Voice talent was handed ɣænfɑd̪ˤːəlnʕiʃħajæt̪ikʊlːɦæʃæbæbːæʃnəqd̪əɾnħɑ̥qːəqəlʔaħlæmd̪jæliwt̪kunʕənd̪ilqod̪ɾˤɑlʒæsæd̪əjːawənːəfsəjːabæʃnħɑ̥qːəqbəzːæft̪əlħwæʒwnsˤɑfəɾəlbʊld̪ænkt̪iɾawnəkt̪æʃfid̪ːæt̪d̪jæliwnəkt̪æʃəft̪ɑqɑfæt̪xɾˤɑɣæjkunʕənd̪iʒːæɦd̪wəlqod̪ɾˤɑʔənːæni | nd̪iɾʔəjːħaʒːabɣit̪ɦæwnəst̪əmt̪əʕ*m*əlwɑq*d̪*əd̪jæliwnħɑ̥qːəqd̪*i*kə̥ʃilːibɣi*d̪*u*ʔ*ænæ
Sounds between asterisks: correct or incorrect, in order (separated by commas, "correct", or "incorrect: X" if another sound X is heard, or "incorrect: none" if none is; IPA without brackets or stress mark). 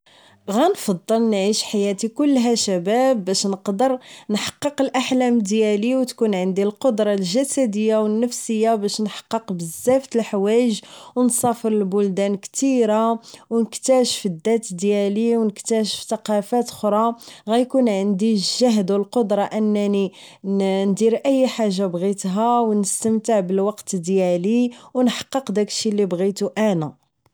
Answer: incorrect: b, incorrect: t̪, incorrect: æ, incorrect: t̪, correct